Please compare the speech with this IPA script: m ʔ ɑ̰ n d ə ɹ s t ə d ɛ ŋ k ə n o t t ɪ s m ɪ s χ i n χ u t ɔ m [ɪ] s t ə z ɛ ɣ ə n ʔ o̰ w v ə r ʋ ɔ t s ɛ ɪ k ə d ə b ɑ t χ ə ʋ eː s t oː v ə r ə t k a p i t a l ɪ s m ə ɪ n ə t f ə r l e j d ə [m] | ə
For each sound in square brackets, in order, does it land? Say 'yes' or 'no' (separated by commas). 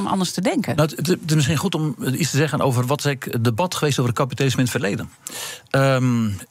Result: no, no